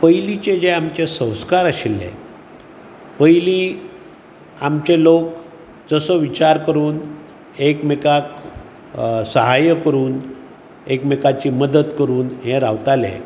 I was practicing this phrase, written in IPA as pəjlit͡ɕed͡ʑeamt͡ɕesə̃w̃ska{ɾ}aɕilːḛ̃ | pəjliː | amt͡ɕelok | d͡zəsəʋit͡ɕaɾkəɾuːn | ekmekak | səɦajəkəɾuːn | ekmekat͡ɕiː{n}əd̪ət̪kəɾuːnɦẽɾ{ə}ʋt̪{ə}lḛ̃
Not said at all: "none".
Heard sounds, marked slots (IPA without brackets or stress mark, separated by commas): ɾ, m, a, a